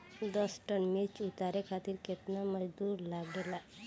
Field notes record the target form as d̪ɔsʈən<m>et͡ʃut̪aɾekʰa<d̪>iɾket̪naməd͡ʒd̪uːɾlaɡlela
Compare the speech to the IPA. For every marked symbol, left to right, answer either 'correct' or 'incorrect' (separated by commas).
correct, incorrect